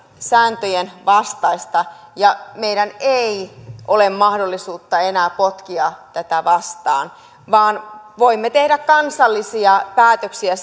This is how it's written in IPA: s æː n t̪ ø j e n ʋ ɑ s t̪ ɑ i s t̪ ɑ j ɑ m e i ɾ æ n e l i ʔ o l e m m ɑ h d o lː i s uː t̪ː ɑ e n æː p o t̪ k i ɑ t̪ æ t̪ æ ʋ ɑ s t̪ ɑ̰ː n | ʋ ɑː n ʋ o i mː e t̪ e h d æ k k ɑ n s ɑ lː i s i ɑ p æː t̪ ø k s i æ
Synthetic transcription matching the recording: s æː n t̪ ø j e n ʋ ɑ s t̪ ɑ i s t̪ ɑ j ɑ m e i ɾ æ n e i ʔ o l e m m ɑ h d o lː i s uː t̪ː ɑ e n æː p o t̪ k i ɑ t̪ æ t̪ æ ʋ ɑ s t̪ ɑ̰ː n | ʋ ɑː n ʋ o i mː e t̪ e h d æ k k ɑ n s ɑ lː i s i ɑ p æː t̪ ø k s i æ

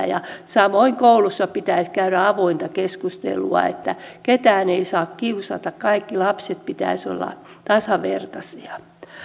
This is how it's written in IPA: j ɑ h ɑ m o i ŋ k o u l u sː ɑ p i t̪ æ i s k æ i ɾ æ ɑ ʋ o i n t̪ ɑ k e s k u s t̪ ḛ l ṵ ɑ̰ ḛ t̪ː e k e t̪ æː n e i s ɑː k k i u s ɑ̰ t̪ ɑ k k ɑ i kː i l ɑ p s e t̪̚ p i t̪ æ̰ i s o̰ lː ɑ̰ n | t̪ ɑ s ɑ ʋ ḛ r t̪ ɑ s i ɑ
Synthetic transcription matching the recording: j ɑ s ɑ m o i ŋ k o u l u sː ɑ p i t̪ æ i s k æ y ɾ æ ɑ ʋ o i n t̪ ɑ k e s k u s t̪ ḛ l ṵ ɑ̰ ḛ t̪ː æ k e t̪ æː n e i s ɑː k k i u s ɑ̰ t̪ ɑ k k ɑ i kː i l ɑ p s e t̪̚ p i t̪ æ̰ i s o̰ lː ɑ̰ | t̪ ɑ s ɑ ʋ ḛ r t̪ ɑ s i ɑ

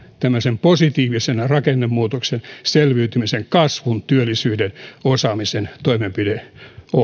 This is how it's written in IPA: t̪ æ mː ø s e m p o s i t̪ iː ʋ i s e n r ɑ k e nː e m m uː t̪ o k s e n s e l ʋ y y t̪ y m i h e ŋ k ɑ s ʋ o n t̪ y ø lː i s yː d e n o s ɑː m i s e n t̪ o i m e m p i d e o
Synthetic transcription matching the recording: t̪ æ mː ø s e m p o s i t̪ iː ʋ i s e n r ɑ k e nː e m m uː t̪ o k s e n s e l ʋ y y t̪ y m i s e ŋ k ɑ s ʋ u n t̪ y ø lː i s yː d e n o s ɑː m i s e n t̪ o i m e m p i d e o

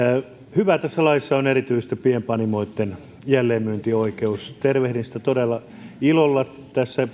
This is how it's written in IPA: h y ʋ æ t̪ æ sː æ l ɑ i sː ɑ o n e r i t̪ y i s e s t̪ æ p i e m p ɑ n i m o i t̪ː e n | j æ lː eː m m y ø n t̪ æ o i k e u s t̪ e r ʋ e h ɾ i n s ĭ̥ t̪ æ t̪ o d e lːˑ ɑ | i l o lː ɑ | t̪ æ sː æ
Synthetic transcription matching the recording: h y ʋ æ t̪ æ sː æ l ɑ i sː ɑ o n e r i t̪ y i s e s t̪ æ p i e m p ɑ n i m o i t̪ː e n | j æ lː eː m m y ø n t̪ i o i k e u s t̪ e r ʋ e h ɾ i n s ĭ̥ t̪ æ t̪ o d e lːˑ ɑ | i l o lː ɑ | t̪ æ sː æ

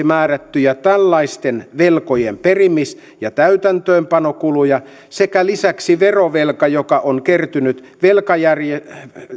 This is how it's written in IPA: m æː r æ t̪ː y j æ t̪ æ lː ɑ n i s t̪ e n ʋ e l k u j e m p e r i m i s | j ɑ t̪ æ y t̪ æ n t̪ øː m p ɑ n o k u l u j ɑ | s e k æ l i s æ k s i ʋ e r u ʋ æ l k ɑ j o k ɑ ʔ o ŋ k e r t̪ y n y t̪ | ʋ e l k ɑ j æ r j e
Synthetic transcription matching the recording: m æː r æ t̪ː y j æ t̪ æ lː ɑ i s t̪ e n ʋ e l k o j e m p e r i m i s | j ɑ t̪ æ y t̪ æ n t̪ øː m p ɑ n o k u l u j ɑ | s e k æ l i s æ k s i ʋ e r o ʋ e l k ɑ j o k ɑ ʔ o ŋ k e r t̪ y n y t̪ | ʋ e l k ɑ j æ r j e

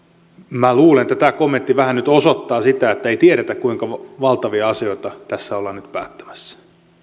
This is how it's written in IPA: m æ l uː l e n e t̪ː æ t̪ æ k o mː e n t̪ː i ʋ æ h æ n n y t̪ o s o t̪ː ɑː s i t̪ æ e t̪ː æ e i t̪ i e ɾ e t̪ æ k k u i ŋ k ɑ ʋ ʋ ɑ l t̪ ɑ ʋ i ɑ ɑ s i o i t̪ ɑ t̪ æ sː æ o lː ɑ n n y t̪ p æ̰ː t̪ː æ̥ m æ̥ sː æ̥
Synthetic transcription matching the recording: m æ l uː l e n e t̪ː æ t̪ æ k o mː e n t̪ː i ʋ æ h æ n n y t̪ o s o t̪ː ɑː s i t̪ æ e t̪ː æ e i t̪ i e ɾ e t̪ æ k k u i ŋ k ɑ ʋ ʋ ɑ l t̪ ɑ ʋ i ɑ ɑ s i o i t̪ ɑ t̪ æ sː æ o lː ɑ n n y t̪ p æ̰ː t̪ː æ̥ m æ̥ sː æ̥

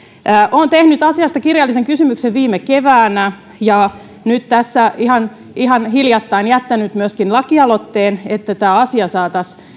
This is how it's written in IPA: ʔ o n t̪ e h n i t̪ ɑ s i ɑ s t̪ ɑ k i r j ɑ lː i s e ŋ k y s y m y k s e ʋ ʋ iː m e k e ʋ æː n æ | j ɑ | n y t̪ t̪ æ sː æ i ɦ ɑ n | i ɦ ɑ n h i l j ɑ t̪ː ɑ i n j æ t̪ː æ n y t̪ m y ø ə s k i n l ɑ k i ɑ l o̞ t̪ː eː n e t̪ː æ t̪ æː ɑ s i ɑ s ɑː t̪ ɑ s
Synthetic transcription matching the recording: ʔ o n t̪ e h n y t̪ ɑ s i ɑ s t̪ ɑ k i r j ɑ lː i s e ŋ k y s y m y k s e ʋ ʋ iː m e k e ʋ æː n æ | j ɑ | n y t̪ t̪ æ sː æ i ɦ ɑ n | i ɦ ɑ n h i l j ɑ t̪ː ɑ i n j æ t̪ː æ n y t̪ m y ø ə s k i n l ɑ k i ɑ l o̞ t̪ː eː n e t̪ː æ t̪ æː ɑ s i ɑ s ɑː t̪ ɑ s

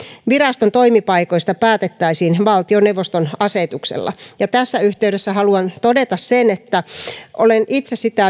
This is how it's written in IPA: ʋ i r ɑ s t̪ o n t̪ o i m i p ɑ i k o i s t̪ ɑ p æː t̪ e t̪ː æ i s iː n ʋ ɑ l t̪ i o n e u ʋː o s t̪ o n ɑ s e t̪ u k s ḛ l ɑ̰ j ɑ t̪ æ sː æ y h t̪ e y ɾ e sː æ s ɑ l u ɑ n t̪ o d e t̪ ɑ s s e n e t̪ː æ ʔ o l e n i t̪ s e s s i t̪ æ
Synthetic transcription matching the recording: ʋ i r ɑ s t̪ o n t̪ o i m i p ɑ i k o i s t̪ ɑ p æː t̪ e t̪ː æ i s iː n ʋ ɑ l t̪ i o n e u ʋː o s t̪ o n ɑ s e t̪ u k s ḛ lː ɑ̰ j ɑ t̪ æ sː æ y h t̪ e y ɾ e sː æ h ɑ l u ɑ n t̪ o d e t̪ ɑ s s e n e t̪ː æ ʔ o l e n i t̪ s e s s i t̪ æ

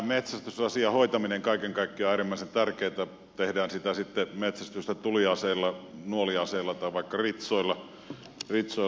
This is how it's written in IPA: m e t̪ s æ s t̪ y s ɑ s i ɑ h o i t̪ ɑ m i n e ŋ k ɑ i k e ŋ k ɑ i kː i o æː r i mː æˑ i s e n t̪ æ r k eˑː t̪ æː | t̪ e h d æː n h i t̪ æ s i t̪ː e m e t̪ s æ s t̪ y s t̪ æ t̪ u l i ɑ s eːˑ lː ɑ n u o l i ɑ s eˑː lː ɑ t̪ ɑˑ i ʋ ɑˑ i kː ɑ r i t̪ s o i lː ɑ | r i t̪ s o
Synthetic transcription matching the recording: m e t̪ s æ s t̪ y s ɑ s i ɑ h o i t̪ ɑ m i n e ŋ k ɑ i k e ŋ k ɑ i kː i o æː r i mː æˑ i s e n t̪ æ r k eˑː t̪ æ | t̪ e h d æː n s i t̪ æ s i t̪ː e m e t̪ s æ s t̪ y s t̪ æ t̪ u l i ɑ s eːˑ lː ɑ n u o l i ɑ s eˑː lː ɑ t̪ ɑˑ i ʋ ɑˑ i kː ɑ r i t̪ s o i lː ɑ | r i t̪ s o

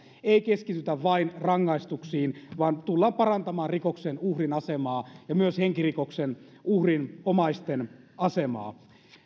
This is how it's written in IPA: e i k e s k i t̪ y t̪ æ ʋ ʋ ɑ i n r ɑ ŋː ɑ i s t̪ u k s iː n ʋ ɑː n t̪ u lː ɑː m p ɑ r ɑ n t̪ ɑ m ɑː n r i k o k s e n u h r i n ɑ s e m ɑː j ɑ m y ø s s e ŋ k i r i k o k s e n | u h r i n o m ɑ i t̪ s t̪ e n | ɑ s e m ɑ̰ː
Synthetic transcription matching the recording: e i k e s k i t̪ y t̪ æ ʋ ʋ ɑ i n r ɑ ŋː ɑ i s t̪ u k s iː n ʋ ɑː n t̪ u lː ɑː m p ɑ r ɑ n t̪ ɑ m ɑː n r i k o k s e n u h r i n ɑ s e m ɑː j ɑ m y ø s h e ŋ k i r i k o k s e n | u h r i n o m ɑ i s t̪ e n | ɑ s e m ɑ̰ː

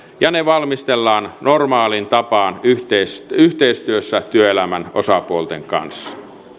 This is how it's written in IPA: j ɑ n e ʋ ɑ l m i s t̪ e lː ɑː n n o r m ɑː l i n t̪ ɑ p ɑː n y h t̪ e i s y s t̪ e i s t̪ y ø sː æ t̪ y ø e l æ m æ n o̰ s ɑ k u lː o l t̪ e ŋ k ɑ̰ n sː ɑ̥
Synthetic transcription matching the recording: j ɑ n e ʋ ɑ l m i s t̪ e lː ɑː n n o r m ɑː l i n t̪ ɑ p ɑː n y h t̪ e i s y h t̪ e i s t̪ y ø sː æ t̪ y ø e l æ m æ n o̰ s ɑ p u o l t̪ e ŋ k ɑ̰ n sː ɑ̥

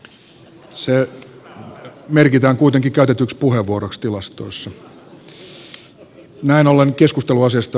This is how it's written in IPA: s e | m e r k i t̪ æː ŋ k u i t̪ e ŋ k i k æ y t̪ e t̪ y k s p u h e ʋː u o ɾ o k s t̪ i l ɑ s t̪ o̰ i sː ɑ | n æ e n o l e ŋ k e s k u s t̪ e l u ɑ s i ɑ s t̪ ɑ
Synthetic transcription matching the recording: s e | m e r k i t̪ æː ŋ k u i t̪ e ŋ k i k æ y t̪ e t̪ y k s p u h e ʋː u o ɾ o k s t̪ i l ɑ s t̪ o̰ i sː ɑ | n æ i n o l e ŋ k e s k u s t̪ e l u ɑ s i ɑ s t̪ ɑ

